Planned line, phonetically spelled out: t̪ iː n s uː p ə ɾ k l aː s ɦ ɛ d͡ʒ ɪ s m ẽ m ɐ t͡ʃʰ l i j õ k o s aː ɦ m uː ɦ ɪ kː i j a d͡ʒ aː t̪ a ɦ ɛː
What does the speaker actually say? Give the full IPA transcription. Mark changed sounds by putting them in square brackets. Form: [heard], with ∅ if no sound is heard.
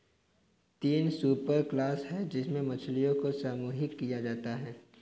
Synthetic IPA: t̪ iː n s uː p ə ɾ k l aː s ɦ ɛ d͡ʒ ɪ s m ẽ m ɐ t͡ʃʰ l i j õ k o s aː [∅] m uː ɦ ɪ kː i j a d͡ʒ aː t̪ a ɦ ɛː